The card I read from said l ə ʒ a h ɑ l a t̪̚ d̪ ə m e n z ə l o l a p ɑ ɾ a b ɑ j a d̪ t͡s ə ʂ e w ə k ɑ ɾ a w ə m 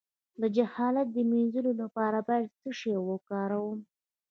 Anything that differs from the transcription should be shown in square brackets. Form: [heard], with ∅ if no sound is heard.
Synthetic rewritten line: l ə [d͡ʒ] a h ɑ l a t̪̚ d̪ ə m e n z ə l o l a p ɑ ɾ a b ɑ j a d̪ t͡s ə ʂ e w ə k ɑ ɾ a w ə m